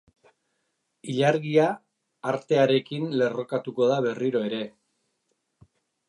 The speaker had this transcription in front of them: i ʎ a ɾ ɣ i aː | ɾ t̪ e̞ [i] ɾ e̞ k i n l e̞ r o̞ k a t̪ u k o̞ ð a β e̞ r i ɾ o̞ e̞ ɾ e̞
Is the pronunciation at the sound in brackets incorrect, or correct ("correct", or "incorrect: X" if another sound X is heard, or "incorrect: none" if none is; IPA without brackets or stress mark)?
incorrect: a